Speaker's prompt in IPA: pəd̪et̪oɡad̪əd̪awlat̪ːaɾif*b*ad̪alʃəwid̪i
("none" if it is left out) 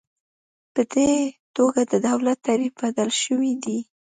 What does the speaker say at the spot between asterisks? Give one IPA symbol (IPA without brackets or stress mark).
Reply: b